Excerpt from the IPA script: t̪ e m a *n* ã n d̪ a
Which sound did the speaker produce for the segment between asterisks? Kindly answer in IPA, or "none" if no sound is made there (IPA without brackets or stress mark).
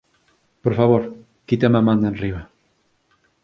m